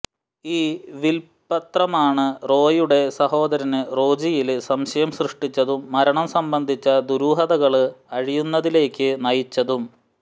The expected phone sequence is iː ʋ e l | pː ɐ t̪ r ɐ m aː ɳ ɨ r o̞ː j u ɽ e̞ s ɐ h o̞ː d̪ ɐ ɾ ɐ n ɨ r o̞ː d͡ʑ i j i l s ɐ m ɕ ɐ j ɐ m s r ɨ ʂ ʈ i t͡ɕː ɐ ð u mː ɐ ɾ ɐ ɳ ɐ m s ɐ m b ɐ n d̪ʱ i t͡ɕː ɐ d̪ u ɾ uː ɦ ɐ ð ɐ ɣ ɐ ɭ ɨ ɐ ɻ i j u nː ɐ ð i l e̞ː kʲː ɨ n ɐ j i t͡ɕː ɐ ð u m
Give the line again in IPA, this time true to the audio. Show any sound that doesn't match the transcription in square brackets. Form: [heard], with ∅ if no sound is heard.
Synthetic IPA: iː ʋ [i] l | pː ɐ t̪ r ɐ m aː ɳ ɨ r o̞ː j u ɽ e̞ s ɐ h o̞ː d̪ ɐ ɾ ɐ n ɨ r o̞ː d͡ʑ i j i l s ɐ m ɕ ɐ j ɐ m s r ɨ ʂ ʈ i t͡ɕː ɐ ð u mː ɐ ɾ ɐ ɳ ɐ m s ɐ m b ɐ n d̪ʱ i t͡ɕː ɐ d̪ u ɾ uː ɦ ɐ ð ɐ ɣ ɐ ɭ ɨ ɐ ɻ i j u nː ɐ ð i l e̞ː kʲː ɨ n ɐ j i t͡ɕː ɐ ð u m

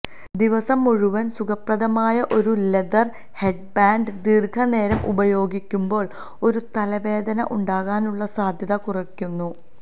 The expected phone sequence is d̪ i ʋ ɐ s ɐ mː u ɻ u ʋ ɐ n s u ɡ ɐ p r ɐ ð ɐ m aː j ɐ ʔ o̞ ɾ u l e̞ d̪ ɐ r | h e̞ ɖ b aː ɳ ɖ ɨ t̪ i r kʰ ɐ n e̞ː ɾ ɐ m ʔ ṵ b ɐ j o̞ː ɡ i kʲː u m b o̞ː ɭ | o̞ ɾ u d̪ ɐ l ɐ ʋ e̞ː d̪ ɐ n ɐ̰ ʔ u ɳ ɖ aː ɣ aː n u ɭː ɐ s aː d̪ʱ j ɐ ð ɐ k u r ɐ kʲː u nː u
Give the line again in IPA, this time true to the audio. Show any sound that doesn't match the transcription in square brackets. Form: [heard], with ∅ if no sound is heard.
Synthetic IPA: d̪ i ʋ ɐ s ɐ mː u ɻ u ʋ ɐ n s u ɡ ɐ p r ɐ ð ɐ m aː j ɐ ʔ o̞ ɾ u l e̞ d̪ ɐ r | h e̞ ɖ b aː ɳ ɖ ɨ [d̪] i r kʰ ɐ n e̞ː ɾ ɐ m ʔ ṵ b ɐ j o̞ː ɡ i kʲː u m b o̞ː ɭ | o̞ ɾ u [t̪] ɐ l ɐ ʋ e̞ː d̪ ɐ n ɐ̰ ʔ u ɳ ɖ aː ɣ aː n u ɭː ɐ s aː d̪ʱ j ɐ ð ɐ k u r ɐ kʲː u nː u

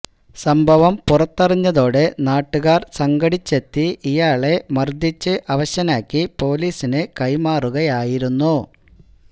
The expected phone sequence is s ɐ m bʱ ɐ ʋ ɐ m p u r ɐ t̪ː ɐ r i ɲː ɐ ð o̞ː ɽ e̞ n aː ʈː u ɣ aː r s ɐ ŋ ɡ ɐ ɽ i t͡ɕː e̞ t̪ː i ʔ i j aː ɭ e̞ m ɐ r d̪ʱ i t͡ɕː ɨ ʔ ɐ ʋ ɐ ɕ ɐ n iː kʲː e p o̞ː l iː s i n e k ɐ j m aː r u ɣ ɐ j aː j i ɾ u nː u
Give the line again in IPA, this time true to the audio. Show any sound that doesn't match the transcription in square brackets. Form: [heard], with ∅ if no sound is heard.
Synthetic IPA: s ɐ m bʱ ɐ ʋ ɐ m p u r ɐ t̪ː ɐ r i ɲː ɐ ð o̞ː ɽ e̞ n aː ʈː u ɣ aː r s ɐ ŋ ɡ ɐ ɽ i t͡ɕː e̞ t̪ː i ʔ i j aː ɭ e̞ m ɐ r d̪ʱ i t͡ɕː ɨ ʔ ɐ ʋ ɐ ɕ ɐ n [aː] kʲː [i] p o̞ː l iː s i n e k ɐ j m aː r u ɣ ɐ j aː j i ɾ u nː u

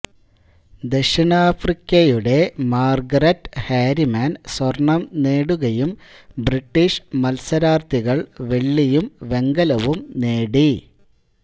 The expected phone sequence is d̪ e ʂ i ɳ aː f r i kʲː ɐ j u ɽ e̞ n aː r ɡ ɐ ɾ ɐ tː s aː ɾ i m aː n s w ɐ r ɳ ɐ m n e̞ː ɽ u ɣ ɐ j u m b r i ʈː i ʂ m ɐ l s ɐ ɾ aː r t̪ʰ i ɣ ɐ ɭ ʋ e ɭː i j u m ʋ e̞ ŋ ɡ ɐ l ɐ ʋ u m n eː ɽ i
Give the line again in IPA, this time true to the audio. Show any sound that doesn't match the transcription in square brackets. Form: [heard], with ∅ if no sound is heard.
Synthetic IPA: d̪ e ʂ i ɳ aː f r i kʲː ɐ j u ɽ e̞ [m] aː r ɡ ɐ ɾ ɐ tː [h] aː ɾ i m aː n s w ɐ r ɳ ɐ m n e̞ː ɽ u ɣ ɐ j u m b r i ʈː i ʂ m ɐ l s ɐ ɾ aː r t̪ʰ i ɣ ɐ ɭ ʋ e ɭː i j u m ʋ e̞ ŋ ɡ ɐ l ɐ ʋ u m n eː ɽ i

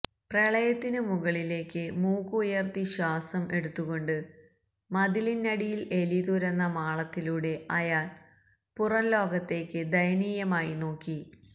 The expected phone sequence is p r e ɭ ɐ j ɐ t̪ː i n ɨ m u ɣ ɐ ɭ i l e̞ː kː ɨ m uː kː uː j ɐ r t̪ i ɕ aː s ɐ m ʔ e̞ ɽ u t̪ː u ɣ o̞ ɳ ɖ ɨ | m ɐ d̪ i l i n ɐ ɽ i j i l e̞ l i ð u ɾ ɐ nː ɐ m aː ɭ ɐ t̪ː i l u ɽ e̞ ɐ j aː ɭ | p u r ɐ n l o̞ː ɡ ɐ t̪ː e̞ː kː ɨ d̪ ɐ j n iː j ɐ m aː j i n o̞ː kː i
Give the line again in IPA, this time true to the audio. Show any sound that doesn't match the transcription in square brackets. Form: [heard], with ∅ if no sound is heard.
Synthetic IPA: p r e ɭ ɐ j ɐ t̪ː i n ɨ m u ɣ ɐ ɭ i l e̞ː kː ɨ m uː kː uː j ɐ r t̪ i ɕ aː s ɐ m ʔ e̞ ɽ u t̪ː u ɣ o̞ ɳ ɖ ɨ | m ɐ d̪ i l i n ɐ ɽ i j i l e̞ l i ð u ɾ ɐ nː ɐ m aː ɭ ɐ t̪ː i l u ɽ e̞ ɐ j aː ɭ | p u r ɐ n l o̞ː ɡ ɐ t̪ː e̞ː kː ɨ d̪ ɐ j n iː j ɐ m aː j i n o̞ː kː i

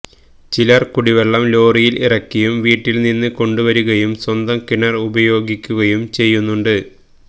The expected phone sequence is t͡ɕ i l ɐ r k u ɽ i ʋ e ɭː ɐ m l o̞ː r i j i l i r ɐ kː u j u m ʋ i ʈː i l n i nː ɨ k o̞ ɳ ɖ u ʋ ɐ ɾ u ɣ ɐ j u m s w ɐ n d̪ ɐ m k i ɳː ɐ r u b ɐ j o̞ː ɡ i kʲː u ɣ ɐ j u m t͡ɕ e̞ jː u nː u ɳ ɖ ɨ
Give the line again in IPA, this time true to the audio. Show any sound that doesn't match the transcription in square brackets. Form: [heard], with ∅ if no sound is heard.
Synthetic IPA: t͡ɕ i l ɐ r k u ɽ i ʋ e ɭː ɐ m l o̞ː r i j i l i r ɐ kː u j u m ʋ [iː] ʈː i l n i nː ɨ k o̞ ɳ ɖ u ʋ ɐ ɾ u ɣ ɐ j u m s w ɐ n d̪ ɐ m k i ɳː ɐ r u b ɐ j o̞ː ɡ i kʲː u ɣ ɐ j u m t͡ɕ e̞ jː u nː u ɳ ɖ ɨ

